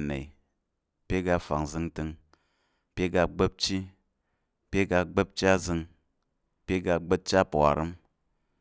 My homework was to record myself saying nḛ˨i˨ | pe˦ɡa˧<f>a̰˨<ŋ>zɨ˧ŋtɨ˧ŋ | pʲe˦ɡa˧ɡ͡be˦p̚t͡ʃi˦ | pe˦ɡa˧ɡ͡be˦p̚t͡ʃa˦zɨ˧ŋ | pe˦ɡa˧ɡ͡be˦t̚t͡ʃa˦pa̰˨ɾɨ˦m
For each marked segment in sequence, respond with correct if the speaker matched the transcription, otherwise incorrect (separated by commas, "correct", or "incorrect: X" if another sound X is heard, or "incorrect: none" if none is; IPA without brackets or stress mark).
correct, correct